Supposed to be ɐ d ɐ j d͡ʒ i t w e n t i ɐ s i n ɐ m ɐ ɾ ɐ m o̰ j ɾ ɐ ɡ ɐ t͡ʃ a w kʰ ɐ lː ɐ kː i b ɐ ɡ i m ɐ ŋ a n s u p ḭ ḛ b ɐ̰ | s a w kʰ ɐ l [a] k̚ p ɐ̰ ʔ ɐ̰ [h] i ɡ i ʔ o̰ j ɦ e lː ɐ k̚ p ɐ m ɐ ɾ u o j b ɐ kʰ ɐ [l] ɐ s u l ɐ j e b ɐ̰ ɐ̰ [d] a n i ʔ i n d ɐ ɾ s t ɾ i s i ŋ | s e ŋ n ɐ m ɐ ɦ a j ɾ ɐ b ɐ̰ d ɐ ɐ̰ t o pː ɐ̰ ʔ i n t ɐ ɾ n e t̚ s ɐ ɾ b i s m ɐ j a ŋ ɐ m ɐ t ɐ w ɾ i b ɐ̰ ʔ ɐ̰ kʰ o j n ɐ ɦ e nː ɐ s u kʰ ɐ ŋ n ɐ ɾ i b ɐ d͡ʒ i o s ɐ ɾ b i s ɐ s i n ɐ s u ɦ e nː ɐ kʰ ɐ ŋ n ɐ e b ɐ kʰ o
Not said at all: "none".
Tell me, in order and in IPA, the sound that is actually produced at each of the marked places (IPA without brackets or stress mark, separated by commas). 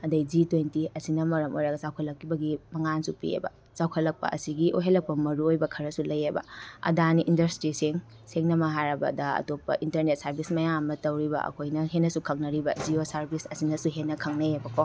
ɐ, s, ɾ, d